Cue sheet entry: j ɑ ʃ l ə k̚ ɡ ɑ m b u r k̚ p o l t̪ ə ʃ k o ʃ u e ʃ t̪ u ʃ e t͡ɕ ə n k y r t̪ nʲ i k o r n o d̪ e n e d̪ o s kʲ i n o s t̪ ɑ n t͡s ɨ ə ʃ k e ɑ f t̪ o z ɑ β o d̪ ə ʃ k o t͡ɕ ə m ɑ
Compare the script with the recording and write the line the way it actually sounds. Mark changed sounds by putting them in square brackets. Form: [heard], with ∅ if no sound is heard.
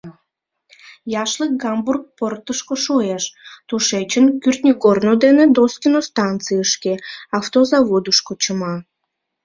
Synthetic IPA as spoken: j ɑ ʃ l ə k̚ ɡ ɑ m b u r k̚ p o [r] t̪ ə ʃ k o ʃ u e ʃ t̪ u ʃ e t͡ɕ ə n k y r t̪ nʲ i k o r n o d̪ e n e d̪ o s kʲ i n o s t̪ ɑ n t͡s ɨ ə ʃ k e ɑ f t̪ o z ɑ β o d̪ ə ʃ k o t͡ɕ ə m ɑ